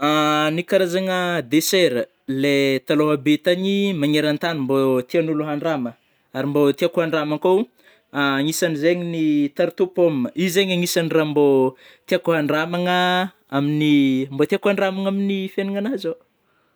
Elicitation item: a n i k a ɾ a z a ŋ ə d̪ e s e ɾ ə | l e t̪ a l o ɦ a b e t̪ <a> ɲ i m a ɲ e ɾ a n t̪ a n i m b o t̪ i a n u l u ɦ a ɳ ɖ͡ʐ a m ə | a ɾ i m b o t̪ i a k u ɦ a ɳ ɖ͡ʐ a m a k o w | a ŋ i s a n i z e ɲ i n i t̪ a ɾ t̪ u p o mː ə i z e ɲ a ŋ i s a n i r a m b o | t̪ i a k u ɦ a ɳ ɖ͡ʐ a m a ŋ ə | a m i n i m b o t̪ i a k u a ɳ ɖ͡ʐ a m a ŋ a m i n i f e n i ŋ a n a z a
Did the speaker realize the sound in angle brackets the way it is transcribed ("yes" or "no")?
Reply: yes